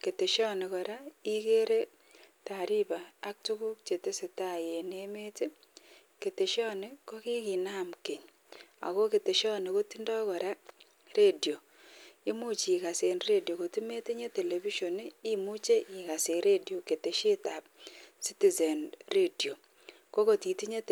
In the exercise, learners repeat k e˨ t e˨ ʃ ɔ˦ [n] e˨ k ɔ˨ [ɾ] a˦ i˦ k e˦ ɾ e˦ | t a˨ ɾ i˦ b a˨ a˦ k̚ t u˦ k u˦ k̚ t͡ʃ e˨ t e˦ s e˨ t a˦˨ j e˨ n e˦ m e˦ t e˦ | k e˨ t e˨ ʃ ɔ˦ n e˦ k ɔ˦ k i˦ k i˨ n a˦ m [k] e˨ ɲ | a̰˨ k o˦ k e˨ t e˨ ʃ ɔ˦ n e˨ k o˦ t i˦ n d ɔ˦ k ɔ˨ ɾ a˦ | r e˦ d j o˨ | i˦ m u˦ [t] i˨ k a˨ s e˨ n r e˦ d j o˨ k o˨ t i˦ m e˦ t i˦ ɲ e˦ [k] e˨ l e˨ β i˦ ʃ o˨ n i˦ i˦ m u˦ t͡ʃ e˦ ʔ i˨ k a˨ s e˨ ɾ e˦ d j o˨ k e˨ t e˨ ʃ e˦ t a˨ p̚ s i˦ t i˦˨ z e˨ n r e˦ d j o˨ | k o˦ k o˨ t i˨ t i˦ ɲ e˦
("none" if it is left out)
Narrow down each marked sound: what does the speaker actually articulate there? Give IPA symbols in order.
n, ɾ, k, t͡ʃ, t

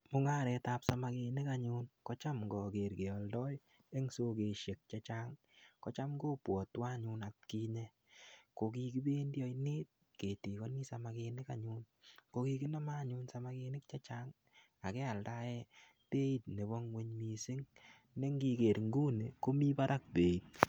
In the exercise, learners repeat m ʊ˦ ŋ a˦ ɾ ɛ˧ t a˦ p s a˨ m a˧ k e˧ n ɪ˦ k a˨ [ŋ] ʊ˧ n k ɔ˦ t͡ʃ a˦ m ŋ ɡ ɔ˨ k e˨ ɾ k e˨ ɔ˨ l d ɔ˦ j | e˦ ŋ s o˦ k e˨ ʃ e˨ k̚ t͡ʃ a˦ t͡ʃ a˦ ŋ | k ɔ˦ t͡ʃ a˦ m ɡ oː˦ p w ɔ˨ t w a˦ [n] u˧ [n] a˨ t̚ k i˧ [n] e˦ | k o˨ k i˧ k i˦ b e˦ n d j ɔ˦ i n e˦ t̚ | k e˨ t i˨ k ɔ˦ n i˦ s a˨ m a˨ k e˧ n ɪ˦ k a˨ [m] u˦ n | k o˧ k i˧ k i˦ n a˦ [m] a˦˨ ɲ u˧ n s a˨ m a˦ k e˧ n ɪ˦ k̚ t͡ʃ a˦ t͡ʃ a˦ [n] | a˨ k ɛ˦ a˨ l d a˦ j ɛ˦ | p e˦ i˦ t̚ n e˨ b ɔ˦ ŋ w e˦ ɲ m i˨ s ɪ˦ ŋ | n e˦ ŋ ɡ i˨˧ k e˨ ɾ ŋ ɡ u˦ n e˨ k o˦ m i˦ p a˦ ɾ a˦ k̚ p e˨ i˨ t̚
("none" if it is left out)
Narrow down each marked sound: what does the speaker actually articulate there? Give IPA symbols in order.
ɲ, ɲ, n, ɲ, ɲ, m, ŋ

